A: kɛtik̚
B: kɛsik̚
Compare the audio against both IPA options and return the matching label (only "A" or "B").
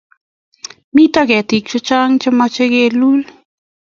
A